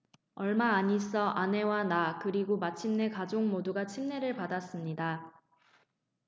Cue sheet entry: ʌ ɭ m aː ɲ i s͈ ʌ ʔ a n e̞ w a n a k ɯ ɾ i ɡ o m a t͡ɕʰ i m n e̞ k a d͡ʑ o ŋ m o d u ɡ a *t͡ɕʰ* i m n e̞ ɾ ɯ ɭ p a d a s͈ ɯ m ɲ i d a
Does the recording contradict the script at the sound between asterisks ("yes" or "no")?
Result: no